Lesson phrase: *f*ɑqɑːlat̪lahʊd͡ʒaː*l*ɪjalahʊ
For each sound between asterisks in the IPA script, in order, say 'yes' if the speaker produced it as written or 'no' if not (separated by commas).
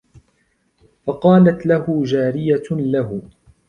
yes, no